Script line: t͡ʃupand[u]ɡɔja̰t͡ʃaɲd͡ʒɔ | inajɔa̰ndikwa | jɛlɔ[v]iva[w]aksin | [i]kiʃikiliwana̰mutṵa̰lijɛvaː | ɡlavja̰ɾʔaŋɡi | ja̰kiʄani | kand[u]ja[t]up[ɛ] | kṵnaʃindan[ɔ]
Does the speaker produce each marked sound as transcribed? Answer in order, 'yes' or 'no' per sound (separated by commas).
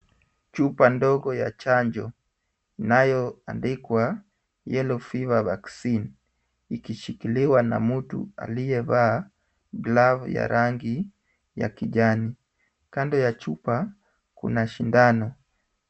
no, no, no, yes, no, no, no, yes